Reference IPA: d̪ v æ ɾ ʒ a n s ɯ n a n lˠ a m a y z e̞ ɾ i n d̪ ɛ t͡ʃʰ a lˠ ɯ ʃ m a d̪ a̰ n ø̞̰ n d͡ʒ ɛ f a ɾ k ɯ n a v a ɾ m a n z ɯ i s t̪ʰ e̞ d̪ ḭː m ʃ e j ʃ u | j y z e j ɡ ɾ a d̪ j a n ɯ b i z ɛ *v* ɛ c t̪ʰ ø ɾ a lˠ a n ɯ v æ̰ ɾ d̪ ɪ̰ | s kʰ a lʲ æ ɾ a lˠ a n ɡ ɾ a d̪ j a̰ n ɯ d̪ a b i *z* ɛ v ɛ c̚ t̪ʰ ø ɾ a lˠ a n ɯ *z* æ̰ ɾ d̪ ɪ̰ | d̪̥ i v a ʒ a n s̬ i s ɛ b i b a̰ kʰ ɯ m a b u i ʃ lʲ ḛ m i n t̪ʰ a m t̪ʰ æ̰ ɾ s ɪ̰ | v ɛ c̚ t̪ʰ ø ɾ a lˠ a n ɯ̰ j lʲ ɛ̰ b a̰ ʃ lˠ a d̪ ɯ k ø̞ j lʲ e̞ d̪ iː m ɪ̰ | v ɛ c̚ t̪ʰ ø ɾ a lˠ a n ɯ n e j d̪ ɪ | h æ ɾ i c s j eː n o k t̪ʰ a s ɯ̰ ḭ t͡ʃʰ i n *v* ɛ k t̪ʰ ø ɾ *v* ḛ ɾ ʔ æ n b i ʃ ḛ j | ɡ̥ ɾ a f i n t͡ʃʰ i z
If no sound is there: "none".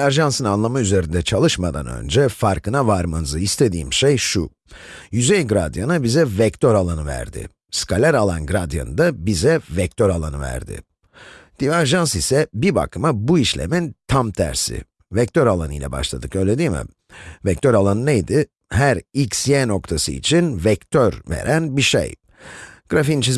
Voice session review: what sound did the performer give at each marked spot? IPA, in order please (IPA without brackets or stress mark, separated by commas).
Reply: v, z, v, v, v